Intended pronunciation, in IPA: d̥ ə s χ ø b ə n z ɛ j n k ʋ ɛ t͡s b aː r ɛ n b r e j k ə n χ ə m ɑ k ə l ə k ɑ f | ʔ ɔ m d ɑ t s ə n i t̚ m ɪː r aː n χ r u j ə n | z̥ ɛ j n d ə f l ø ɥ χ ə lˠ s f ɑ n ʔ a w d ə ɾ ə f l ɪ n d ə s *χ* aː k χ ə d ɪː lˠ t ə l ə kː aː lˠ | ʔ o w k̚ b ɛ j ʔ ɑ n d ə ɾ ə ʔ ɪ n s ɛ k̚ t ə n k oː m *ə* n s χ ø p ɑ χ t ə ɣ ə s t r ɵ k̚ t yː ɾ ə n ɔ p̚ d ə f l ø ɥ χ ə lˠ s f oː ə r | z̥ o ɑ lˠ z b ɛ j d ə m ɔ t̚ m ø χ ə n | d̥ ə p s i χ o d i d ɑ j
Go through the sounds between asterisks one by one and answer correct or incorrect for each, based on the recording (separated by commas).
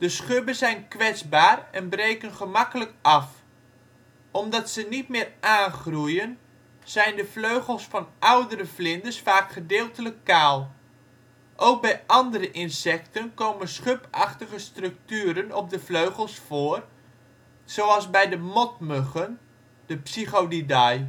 incorrect, correct